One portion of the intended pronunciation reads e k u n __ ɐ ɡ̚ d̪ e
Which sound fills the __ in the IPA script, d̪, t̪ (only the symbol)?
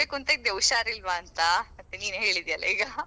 t̪